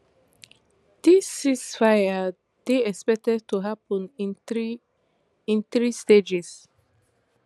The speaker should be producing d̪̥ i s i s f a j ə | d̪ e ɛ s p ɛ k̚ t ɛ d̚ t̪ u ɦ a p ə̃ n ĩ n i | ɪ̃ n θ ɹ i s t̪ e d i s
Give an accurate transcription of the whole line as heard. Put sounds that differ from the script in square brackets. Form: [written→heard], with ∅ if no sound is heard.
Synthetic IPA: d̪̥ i s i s f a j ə | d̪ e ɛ s p ɛ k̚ t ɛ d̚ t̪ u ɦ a p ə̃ n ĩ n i | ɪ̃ n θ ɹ i s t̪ e [d→d͡ʒ] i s